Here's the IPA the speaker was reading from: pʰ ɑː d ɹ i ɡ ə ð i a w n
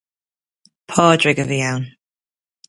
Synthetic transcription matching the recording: pʰ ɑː d ɹ ɪ ɡ ə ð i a w n